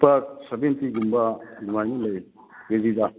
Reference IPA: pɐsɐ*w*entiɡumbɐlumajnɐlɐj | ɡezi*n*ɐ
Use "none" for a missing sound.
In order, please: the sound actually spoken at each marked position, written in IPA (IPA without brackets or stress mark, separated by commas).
b, d